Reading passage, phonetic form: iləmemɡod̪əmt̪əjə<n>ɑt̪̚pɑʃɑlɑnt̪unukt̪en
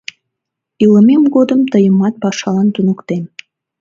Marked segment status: incorrect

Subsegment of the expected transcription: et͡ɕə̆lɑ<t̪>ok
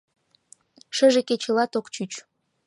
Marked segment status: correct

